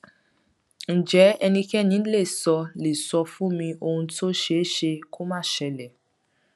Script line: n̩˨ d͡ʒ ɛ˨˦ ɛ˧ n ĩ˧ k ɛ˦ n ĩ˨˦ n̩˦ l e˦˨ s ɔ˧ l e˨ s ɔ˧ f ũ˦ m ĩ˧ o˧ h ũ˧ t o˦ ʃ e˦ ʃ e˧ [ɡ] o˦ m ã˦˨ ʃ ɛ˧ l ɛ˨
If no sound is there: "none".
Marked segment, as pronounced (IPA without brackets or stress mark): k